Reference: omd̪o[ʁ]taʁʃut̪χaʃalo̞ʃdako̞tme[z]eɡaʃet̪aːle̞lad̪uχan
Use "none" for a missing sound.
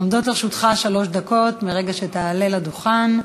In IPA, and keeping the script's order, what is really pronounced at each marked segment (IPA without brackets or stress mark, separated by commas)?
none, ʁ